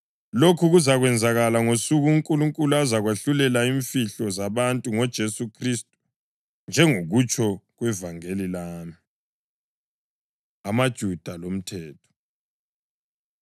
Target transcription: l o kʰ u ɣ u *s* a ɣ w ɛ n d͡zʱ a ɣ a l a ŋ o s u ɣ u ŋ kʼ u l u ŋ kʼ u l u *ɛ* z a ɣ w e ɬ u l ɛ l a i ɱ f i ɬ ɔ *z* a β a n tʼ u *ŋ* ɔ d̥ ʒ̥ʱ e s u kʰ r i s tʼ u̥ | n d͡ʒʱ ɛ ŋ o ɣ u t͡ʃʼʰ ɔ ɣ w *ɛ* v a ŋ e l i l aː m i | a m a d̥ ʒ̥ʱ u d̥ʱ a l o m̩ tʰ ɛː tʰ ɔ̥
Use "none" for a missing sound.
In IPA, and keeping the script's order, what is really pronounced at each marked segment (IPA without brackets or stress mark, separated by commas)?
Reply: z, a, z, ŋ, ɛ